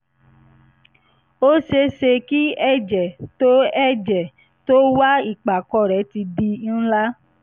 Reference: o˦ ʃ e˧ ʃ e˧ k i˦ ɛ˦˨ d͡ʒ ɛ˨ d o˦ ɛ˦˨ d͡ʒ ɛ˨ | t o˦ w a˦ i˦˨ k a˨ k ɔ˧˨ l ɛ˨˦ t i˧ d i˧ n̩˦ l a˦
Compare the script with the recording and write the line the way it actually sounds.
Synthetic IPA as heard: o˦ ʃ e˧ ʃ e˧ k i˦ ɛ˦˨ d͡ʒ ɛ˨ t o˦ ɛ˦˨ d͡ʒ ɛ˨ | t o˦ w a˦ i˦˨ k͡p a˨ k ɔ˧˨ ɾ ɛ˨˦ t i˧ d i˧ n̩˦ l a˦